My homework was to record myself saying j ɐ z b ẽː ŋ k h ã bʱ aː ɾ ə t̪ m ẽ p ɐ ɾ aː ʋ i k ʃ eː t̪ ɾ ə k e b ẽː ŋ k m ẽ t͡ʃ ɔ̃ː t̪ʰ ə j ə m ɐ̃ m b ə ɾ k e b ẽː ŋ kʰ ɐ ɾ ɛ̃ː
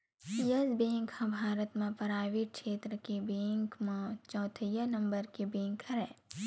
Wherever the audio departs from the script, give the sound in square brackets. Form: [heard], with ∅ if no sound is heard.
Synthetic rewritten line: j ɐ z b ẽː ŋ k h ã bʱ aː ɾ ə t̪ m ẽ p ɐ ɾ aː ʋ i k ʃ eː t̪ ɾ ə k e b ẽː ŋ k m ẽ t͡ʃ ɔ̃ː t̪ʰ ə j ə [n] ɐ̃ m b ə ɾ k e b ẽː ŋ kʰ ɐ ɾ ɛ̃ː